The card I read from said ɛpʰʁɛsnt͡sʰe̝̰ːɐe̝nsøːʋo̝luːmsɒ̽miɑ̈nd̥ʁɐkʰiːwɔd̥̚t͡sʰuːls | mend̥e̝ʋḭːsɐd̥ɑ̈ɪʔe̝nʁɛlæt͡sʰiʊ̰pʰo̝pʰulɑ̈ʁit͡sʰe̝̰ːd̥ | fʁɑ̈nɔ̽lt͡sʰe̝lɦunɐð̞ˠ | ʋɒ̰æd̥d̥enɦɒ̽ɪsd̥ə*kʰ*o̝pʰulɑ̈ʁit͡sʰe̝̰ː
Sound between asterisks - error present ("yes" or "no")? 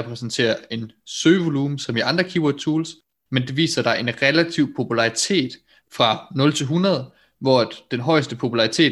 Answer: yes